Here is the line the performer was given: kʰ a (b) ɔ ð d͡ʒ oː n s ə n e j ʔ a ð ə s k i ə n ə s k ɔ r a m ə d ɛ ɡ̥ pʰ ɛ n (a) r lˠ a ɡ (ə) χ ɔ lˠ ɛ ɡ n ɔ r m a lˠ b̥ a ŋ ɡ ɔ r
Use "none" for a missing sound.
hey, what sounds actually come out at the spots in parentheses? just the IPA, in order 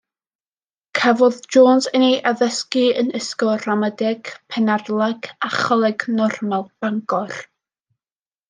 v, a, a

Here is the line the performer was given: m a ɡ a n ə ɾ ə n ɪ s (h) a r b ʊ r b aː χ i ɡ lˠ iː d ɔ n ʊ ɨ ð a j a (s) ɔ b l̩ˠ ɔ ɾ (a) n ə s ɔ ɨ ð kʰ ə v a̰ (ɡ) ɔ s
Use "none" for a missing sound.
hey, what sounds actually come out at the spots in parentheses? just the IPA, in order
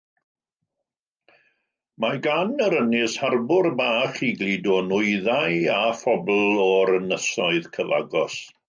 h, f, ə, ɡ

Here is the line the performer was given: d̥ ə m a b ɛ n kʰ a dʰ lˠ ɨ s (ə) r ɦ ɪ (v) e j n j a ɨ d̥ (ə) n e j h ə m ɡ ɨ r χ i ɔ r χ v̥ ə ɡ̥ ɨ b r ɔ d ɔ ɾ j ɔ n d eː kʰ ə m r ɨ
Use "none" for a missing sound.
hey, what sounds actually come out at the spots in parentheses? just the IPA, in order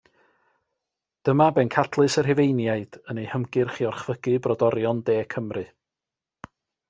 ə, v, ə

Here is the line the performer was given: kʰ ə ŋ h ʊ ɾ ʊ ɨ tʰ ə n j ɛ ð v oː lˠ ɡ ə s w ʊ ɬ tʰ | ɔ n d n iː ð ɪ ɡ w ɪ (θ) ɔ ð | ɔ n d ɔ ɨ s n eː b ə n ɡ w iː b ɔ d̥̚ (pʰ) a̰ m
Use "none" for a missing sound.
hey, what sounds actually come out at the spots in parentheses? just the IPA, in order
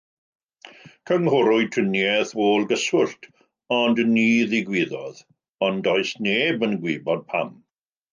ð, pʰ

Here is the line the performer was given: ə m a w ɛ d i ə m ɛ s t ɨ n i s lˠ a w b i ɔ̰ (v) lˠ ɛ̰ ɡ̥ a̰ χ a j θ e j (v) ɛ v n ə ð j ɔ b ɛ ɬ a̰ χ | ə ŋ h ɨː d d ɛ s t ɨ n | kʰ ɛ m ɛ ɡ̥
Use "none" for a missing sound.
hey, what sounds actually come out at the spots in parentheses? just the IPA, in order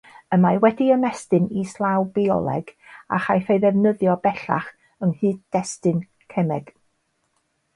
none, ð

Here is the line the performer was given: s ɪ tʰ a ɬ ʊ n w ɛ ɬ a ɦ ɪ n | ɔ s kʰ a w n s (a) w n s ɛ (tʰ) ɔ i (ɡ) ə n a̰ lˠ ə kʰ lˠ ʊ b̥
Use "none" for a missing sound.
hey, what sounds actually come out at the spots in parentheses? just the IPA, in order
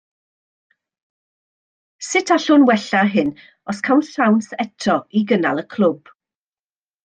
a, tʰ, ɡ

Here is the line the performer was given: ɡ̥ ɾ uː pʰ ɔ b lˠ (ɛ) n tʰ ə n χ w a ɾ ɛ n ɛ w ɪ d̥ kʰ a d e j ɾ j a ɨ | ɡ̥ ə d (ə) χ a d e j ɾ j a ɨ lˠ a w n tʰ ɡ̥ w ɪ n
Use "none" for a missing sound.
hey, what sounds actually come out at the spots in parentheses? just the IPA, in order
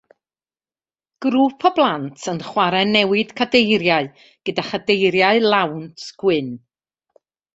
a, a

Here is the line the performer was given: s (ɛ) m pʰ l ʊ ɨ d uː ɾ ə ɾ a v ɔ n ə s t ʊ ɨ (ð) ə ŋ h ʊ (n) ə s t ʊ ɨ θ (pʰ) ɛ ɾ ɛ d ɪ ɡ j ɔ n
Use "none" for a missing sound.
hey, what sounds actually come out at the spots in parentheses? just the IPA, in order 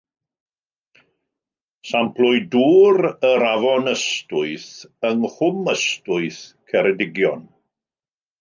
a, θ, m, kʰ

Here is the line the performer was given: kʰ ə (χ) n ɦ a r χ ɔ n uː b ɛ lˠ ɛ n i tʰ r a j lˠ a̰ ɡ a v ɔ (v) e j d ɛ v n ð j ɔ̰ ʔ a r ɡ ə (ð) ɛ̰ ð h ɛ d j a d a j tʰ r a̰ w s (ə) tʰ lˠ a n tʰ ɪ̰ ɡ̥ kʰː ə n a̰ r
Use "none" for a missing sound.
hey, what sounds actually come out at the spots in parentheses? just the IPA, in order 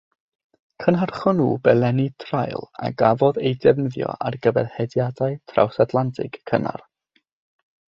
none, ð, v, a

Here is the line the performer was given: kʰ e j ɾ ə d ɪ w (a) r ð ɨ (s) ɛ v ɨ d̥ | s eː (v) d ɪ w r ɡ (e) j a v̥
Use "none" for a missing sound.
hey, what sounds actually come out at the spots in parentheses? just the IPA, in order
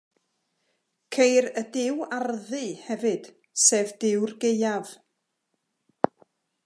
a, h, v, e

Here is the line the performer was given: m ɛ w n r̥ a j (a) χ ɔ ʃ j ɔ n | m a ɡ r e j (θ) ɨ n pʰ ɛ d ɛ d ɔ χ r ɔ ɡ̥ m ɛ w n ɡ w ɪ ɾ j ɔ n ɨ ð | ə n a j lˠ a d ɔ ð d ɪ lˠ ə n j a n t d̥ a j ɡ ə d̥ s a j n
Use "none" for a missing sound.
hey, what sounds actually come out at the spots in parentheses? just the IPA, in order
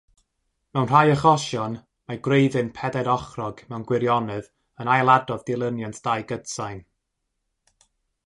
ə, ð

